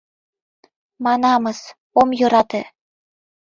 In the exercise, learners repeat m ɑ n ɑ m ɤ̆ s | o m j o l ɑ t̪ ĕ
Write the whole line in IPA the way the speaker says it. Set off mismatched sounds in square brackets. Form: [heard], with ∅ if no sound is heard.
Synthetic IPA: m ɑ n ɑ m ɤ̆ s | o m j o [ɾ] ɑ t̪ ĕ